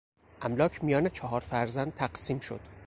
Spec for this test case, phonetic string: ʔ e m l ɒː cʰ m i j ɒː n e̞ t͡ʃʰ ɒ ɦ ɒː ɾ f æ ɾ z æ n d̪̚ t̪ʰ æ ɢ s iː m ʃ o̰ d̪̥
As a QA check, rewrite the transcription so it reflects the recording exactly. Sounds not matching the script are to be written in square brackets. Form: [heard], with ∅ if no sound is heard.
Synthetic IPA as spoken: ʔ [æ] m l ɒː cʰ m i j ɒː n e̞ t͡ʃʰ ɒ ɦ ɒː ɾ f æ ɾ z æ n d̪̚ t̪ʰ æ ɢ s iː m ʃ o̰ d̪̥